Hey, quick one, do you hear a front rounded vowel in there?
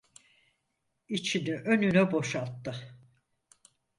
yes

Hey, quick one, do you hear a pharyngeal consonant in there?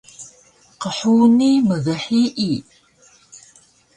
yes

